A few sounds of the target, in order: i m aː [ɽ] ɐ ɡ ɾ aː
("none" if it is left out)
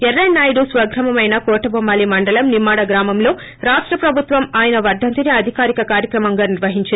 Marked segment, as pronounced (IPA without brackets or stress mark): ɽ